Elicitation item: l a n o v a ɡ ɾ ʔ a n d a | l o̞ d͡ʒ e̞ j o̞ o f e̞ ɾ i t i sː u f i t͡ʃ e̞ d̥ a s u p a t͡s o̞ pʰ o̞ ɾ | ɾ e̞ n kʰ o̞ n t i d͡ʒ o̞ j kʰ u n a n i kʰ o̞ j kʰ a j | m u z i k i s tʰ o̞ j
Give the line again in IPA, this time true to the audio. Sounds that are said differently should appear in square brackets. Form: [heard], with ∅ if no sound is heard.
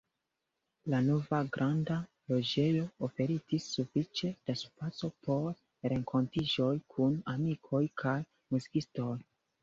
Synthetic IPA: l a n o v a ɡ ɾ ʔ a n d a | l o̞ d͡ʒ e̞ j o̞ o f e̞ ɾ i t i sː u f i t͡ʃ e̞ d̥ a s u p a t͡s o̞ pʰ o̞ ɾ | ɾ e̞ [ŋ] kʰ o̞ n t i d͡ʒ o̞ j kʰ u n a [m] i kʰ o̞ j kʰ a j | m u z i k i s [t] o̞ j